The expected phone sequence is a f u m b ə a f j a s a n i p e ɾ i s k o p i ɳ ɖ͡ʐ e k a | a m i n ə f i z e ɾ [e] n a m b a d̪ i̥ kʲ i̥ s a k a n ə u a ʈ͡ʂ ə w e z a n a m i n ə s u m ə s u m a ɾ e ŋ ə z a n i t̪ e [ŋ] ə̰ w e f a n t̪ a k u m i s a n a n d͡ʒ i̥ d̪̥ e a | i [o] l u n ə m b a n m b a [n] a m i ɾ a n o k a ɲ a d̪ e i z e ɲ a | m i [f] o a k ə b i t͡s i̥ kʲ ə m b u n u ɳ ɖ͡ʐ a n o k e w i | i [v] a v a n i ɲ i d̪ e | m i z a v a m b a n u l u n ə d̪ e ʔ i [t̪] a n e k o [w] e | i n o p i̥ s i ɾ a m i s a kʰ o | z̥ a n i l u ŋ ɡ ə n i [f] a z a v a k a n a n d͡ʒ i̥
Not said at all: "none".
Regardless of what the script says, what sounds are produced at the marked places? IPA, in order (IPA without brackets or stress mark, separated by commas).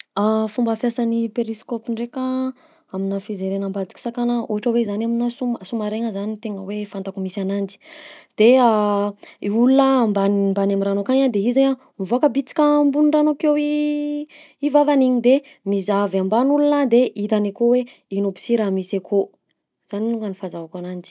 e, ŋ, u, n, v, v, t̪, w, f